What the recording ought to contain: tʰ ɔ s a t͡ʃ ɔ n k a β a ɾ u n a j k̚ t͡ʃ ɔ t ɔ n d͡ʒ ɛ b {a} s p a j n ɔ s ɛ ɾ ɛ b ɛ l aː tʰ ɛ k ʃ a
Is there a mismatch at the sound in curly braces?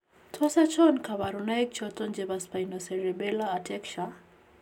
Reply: no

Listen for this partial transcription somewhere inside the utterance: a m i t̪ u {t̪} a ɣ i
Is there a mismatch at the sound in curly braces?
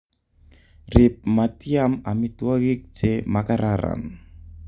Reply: yes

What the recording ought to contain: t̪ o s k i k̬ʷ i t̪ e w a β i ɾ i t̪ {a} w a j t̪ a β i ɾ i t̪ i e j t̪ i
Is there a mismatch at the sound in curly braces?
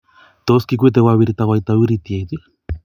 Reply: no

